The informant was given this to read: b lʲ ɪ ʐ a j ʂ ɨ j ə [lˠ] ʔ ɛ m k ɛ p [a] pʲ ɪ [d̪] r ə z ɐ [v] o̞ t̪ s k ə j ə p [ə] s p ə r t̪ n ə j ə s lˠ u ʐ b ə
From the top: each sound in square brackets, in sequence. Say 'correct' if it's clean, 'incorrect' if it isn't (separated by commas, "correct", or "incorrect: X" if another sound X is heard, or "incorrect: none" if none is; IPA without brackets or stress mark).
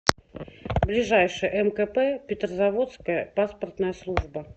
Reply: incorrect: none, incorrect: ɛ, incorrect: t̪, correct, incorrect: a